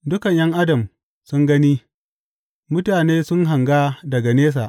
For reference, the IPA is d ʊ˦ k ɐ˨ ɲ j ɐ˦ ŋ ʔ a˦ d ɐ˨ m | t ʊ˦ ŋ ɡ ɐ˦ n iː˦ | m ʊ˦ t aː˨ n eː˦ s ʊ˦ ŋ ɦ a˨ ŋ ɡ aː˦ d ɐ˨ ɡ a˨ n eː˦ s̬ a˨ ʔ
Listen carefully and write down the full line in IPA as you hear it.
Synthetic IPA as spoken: d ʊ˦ k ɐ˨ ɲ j ɐ˦ ŋ ʔ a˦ d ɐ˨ m | s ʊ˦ ŋ ɡ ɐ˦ n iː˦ | m ʊ˦ t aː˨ n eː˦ s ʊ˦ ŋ ɦ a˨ ŋ ɡ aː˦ d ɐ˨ ɡ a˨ n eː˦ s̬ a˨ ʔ